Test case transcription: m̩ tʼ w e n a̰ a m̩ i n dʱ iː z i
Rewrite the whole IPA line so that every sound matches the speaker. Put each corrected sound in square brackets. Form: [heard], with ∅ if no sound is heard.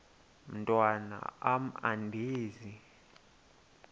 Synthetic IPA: m̩ tʼ w [a] n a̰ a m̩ [a] n dʱ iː z i

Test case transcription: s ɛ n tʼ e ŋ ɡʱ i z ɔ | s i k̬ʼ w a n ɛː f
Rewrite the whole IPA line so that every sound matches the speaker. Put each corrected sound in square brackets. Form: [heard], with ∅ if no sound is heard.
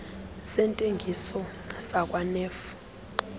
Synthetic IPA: s ɛ n tʼ e ŋ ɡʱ i [s] ɔ | s [a] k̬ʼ w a n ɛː f

